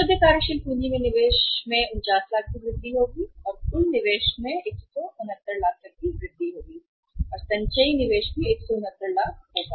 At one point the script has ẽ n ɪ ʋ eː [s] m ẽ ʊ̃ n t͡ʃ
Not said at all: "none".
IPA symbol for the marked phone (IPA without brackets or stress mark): ʃ